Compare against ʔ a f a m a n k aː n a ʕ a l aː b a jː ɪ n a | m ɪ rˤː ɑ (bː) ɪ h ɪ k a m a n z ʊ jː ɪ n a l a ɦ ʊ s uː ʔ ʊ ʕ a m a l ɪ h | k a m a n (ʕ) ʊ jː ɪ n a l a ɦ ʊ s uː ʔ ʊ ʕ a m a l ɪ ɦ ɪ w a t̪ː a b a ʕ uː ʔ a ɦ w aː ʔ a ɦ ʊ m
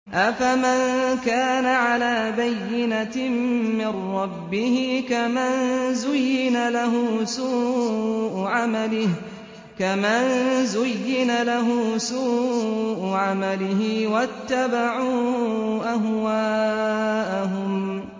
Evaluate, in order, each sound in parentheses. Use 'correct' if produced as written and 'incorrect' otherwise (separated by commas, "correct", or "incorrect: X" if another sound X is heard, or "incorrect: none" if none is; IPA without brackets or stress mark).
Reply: correct, incorrect: z